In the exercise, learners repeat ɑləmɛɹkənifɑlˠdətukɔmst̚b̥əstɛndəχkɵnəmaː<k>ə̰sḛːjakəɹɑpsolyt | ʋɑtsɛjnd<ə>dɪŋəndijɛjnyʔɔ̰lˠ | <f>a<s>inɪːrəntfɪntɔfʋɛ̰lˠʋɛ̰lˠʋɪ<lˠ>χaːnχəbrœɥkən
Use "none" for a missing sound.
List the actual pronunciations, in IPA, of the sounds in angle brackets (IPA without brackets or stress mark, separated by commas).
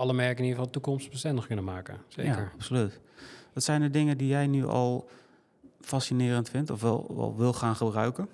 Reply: k, ə, f, s, lˠ